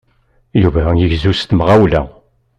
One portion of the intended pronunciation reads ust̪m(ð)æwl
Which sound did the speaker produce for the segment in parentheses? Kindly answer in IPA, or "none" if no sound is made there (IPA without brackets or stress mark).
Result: ʁ